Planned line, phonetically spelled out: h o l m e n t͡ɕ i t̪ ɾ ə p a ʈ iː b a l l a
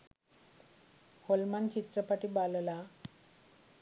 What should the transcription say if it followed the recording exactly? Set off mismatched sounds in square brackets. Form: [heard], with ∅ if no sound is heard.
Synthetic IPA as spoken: h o l m [a] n t͡ɕ i t̪ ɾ ə p a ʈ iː b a l l a